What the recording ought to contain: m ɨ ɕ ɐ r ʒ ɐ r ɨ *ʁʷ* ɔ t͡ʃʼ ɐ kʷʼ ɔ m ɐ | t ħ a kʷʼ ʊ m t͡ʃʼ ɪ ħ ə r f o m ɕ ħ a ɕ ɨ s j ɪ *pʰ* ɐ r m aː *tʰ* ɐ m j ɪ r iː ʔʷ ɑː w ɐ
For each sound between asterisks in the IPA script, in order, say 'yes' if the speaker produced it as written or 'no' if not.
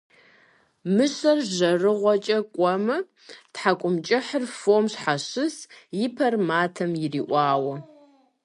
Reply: yes, yes, yes

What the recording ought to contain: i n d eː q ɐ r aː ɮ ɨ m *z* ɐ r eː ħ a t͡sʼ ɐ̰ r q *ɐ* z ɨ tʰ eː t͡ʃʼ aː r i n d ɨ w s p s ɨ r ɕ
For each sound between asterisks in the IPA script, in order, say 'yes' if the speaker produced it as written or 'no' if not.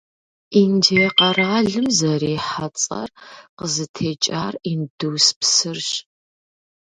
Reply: yes, no

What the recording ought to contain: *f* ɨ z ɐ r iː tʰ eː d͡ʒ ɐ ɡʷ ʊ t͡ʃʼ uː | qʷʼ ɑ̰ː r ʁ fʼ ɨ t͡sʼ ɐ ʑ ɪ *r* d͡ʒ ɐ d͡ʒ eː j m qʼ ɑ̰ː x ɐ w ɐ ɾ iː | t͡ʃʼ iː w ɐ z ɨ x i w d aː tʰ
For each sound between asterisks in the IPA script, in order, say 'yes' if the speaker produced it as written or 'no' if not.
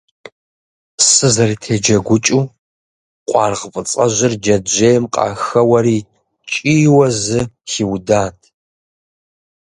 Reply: no, yes

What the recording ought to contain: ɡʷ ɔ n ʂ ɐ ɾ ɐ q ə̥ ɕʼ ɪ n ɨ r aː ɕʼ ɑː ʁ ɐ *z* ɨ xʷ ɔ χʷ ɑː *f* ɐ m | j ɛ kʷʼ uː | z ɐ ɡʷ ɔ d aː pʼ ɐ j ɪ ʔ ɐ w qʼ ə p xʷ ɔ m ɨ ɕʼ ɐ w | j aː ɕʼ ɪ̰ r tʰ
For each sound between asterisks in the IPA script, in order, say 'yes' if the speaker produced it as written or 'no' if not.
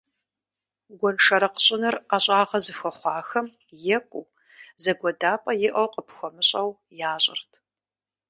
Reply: yes, no

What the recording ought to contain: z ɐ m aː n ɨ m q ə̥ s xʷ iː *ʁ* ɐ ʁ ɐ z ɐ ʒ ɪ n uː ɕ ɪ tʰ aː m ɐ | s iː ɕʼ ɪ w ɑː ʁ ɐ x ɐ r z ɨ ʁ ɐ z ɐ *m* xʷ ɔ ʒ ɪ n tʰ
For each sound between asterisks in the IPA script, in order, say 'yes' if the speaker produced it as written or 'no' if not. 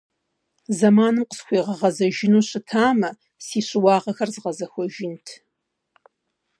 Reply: yes, no

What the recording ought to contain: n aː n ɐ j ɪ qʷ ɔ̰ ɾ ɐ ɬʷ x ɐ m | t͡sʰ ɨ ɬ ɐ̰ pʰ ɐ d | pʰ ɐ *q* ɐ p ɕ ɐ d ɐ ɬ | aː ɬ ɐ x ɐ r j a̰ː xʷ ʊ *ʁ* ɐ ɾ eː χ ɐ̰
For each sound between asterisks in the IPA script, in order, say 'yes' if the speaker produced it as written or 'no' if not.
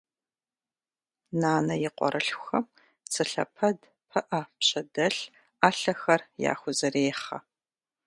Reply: no, no

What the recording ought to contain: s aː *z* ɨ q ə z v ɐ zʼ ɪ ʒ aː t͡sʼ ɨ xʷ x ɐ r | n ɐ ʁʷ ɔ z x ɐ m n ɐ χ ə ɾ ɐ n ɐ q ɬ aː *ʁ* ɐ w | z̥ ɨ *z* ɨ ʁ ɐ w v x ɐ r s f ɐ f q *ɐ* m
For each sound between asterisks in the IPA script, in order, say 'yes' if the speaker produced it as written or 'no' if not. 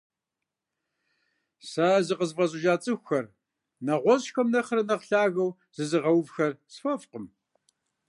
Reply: yes, no, yes, no

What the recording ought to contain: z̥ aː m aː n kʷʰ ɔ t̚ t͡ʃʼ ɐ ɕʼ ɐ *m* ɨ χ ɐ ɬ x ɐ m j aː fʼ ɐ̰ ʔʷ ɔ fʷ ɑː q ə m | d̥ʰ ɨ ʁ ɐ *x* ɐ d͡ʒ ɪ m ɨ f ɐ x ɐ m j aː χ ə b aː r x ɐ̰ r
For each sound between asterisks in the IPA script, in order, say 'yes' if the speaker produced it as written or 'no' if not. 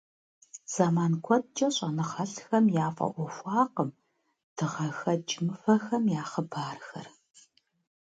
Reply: no, yes

